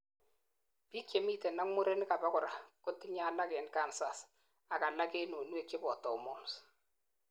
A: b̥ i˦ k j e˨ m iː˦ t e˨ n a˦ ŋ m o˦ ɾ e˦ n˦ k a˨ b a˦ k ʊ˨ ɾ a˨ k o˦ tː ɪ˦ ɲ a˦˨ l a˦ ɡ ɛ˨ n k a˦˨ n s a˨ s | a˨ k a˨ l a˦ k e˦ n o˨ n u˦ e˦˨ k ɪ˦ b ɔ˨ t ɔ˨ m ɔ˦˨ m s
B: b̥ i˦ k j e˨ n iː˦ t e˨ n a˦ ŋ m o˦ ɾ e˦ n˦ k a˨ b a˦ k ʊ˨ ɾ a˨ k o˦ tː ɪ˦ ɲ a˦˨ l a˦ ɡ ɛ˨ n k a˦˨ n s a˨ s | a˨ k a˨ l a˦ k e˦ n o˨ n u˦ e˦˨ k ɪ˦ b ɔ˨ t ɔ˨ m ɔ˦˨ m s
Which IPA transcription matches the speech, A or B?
A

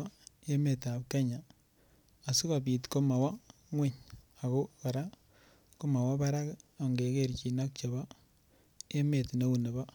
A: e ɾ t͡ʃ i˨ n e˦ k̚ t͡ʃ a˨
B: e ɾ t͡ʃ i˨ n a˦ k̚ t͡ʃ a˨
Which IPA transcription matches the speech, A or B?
B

